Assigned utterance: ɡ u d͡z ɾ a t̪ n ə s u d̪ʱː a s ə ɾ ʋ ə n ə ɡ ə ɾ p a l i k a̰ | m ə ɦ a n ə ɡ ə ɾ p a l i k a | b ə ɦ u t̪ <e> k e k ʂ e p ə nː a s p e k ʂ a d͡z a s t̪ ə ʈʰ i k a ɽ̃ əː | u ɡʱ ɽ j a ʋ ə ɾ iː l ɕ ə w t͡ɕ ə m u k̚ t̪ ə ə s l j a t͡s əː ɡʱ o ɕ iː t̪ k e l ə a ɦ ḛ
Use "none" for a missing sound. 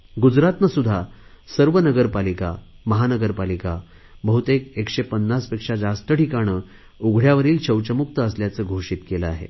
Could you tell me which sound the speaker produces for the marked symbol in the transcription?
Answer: e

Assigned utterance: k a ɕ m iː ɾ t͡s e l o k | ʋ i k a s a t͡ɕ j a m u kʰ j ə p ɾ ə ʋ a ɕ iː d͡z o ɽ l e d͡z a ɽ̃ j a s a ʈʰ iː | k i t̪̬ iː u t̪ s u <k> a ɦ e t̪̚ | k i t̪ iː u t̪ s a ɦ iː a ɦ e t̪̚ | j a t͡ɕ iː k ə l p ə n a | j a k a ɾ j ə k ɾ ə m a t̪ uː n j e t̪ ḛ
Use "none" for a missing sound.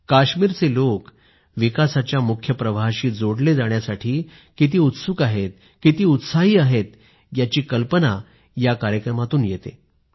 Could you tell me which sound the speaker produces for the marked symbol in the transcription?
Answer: k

